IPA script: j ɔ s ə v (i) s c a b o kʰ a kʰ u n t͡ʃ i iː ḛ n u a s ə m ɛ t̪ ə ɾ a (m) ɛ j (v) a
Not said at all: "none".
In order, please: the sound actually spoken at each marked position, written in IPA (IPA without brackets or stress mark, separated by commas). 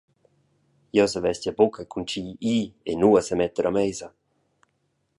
ɛ, m, z